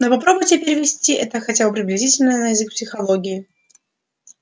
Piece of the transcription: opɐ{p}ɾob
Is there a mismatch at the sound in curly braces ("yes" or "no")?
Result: no